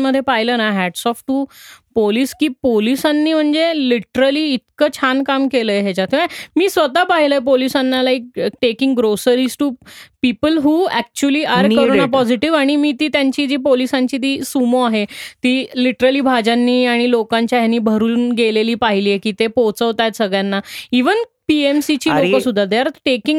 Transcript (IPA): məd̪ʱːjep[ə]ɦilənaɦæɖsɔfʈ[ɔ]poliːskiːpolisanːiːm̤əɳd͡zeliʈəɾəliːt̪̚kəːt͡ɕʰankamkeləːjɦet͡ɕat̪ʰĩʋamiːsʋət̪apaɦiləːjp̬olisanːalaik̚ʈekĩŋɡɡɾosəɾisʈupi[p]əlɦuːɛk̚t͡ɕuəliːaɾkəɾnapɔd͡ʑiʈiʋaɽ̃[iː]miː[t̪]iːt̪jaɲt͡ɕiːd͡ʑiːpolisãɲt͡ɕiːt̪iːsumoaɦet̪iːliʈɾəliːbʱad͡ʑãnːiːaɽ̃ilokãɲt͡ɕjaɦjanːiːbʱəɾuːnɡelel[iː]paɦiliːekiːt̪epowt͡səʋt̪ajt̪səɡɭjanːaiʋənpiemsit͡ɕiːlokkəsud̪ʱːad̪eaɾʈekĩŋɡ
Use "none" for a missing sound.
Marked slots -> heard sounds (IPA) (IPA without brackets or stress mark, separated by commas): a, u, p, i, t̪, iː